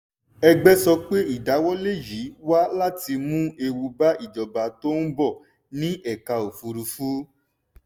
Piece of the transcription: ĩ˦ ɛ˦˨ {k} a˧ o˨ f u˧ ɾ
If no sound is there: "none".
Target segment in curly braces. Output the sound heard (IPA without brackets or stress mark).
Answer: k